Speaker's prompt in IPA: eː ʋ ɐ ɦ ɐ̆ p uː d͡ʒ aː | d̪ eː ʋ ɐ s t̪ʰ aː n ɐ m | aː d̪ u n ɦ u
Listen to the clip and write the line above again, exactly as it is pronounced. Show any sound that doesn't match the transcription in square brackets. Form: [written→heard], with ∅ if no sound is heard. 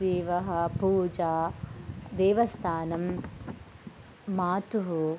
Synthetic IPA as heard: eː ʋ ɐ ɦ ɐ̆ p uː d͡ʒ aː | d̪ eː ʋ ɐ s t̪ʰ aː n ɐ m | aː [d̪→t̪] u [n→∅] ɦ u